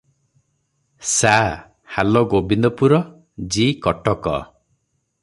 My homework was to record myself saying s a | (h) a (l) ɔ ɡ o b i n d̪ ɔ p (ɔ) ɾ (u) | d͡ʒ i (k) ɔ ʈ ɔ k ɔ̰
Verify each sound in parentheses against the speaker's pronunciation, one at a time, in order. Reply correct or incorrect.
correct, correct, incorrect, incorrect, correct

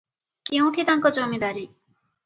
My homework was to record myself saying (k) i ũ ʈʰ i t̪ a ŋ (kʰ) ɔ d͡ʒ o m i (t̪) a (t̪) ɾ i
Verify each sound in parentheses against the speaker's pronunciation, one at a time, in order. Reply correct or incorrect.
correct, incorrect, incorrect, incorrect

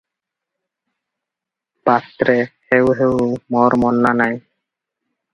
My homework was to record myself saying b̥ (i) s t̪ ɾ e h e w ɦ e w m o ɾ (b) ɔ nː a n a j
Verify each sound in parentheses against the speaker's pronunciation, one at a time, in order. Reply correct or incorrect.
incorrect, incorrect

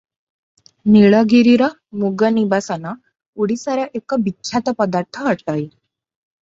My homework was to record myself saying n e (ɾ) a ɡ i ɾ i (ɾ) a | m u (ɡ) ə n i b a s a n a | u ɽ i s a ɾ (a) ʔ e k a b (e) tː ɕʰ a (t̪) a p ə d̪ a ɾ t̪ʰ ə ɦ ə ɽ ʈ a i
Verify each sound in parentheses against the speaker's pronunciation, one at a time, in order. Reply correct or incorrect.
incorrect, correct, correct, correct, incorrect, correct

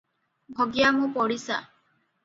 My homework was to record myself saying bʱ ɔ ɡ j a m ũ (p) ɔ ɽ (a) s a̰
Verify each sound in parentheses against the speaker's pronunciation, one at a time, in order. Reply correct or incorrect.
correct, incorrect

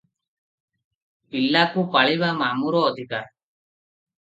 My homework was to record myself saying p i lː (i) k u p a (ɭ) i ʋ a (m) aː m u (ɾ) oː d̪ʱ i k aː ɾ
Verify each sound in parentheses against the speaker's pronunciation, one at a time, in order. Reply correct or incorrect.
incorrect, correct, correct, correct

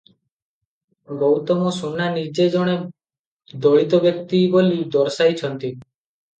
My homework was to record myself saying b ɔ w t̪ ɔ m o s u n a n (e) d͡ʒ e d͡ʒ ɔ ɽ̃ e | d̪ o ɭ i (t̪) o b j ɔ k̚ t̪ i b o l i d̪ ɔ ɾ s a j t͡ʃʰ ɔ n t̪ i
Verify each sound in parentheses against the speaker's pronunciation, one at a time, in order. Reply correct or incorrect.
incorrect, correct

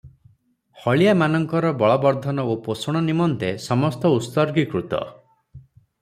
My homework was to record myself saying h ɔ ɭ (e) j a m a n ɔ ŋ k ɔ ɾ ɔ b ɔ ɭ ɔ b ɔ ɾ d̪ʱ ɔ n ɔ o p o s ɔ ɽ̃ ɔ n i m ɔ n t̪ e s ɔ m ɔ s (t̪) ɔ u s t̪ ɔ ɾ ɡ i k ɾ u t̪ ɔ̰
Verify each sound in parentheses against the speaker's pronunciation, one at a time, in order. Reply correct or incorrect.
incorrect, correct

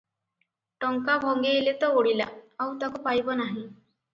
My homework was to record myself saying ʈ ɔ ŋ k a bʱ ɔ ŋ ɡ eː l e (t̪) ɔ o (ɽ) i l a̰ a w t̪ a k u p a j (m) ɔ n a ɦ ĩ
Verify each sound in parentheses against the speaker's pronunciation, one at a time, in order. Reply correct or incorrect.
correct, correct, incorrect

